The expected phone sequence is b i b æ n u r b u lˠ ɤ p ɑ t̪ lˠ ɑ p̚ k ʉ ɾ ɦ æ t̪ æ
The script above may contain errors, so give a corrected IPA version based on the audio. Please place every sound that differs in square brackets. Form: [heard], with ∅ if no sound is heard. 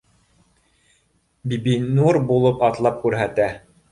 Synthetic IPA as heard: b i b [i] n u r b u lˠ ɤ p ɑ t̪ lˠ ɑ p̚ k ʉ ɾ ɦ æ t̪ æ